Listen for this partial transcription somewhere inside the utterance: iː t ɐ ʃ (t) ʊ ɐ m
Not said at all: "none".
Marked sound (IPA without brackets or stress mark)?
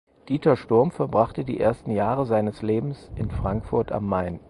t